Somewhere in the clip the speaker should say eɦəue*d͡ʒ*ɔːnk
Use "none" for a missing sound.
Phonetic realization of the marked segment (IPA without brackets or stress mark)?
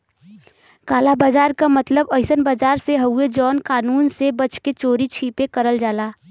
d͡ʒ